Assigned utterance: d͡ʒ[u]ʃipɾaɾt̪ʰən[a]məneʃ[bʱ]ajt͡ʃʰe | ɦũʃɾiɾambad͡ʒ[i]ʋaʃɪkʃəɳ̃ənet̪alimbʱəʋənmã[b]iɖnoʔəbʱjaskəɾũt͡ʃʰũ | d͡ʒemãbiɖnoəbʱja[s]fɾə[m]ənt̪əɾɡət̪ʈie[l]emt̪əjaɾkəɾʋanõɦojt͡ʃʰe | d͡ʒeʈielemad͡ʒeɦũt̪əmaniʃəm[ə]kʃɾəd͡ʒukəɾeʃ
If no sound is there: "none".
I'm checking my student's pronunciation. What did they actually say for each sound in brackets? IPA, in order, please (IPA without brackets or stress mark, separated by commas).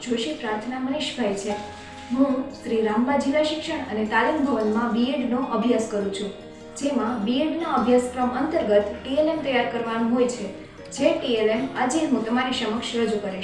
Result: o, a, bʱ, i, b, s, m, l, ə